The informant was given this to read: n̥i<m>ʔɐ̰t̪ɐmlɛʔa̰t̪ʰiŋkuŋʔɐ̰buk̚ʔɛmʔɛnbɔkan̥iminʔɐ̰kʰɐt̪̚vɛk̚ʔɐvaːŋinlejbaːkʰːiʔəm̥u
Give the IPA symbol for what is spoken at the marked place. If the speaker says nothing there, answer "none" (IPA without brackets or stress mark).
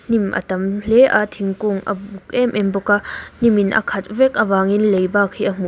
m